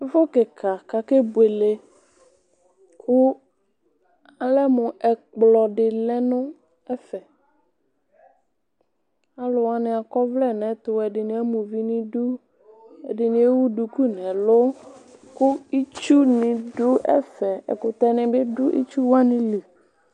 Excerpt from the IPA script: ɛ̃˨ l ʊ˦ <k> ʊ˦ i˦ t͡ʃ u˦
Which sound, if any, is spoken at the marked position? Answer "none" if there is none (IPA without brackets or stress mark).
k